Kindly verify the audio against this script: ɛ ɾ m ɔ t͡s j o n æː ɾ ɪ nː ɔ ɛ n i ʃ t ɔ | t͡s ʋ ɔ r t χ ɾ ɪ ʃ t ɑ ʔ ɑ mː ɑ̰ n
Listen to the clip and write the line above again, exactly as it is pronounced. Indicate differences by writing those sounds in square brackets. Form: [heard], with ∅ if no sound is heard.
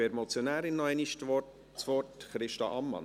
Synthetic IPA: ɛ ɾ m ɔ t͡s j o n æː ɾ ɪ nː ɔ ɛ n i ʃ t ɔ | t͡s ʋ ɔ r t χ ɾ ɪ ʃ t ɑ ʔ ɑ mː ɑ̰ n